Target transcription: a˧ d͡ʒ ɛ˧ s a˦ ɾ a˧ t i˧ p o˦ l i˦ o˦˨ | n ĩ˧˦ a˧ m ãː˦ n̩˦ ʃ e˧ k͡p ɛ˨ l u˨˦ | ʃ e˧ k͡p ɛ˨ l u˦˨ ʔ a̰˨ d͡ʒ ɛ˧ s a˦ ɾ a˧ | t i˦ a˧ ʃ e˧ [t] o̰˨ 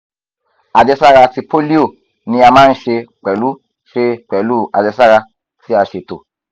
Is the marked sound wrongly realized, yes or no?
no